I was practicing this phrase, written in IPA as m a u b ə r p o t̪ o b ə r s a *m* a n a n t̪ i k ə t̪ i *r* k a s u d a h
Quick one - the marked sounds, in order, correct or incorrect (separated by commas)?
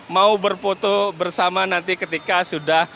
correct, incorrect